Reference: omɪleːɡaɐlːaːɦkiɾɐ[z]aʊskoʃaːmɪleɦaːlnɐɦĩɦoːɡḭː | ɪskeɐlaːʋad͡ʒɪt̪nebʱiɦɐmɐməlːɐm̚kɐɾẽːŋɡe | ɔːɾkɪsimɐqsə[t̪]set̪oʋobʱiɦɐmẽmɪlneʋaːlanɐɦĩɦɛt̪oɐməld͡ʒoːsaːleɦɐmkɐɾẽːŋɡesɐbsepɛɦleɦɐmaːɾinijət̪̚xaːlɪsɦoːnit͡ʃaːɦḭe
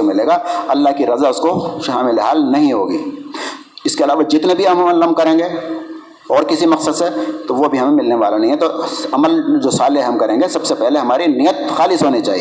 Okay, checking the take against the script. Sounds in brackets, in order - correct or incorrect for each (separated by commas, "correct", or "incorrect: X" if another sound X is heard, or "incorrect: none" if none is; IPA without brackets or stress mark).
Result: correct, incorrect: d̪